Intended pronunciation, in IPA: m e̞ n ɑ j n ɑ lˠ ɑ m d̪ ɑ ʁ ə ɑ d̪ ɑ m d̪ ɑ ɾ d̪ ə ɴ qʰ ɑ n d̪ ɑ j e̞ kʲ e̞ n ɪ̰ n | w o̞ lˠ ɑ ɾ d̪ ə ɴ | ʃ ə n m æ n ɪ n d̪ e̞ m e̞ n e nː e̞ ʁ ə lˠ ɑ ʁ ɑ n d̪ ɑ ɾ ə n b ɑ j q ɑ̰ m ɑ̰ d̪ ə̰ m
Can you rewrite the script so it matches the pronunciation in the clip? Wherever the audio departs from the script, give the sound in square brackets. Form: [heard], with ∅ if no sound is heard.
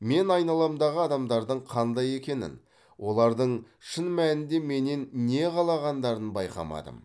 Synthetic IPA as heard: m e̞ n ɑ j n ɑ lˠ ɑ m d̪ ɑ ʁ ə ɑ d̪ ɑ m d̪ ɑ ɾ d̪ ə ɴ qʰ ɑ n d̪ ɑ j e̞ kʲ e̞ n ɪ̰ n | w o̞ lˠ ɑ ɾ d̪ ə ɴ | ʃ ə n m æ n ɪ n d̪ e̞ m e̞ n e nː e̞ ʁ [ɑ] lˠ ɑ ʁ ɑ n d̪ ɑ ɾ ə n b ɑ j q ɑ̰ m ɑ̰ d̪ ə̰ m